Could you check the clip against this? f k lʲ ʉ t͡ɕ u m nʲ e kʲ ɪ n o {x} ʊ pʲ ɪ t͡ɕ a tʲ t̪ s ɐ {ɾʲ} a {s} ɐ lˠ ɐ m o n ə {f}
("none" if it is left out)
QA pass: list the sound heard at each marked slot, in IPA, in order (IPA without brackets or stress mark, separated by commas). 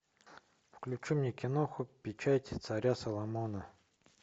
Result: x, ɾʲ, s, none